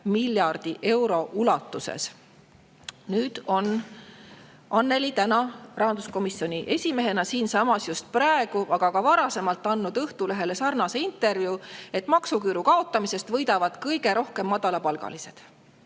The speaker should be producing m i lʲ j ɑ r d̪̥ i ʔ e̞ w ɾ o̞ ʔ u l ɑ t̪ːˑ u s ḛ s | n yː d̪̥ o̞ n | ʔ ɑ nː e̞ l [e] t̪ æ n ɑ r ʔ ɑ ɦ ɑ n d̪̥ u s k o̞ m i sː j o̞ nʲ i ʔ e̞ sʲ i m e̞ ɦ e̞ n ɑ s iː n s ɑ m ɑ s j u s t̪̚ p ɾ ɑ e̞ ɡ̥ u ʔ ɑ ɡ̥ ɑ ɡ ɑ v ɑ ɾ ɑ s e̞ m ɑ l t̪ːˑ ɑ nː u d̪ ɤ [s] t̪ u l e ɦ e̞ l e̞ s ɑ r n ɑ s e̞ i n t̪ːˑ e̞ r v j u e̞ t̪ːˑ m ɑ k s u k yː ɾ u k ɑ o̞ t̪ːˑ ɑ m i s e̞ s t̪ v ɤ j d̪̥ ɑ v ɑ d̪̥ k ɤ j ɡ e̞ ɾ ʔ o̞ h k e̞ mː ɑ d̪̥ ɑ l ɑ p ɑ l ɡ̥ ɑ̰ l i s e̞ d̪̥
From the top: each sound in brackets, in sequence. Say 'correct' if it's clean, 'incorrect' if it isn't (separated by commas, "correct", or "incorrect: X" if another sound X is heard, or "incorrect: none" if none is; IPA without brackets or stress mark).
incorrect: i, incorrect: h